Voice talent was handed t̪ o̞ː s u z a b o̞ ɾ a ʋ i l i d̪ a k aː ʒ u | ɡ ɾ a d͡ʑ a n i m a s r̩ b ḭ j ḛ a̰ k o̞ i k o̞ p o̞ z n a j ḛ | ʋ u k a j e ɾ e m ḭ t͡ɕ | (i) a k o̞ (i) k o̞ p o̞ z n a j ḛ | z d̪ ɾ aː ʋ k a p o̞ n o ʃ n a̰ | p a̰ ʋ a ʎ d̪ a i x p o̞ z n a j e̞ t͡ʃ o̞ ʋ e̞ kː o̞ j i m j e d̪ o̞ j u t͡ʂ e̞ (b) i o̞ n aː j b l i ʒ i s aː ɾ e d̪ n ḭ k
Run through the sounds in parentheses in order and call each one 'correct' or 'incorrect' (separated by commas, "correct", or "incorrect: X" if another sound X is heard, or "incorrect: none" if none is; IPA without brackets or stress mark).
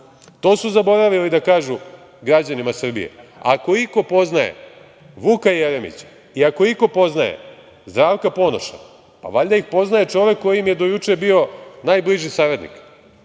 correct, correct, correct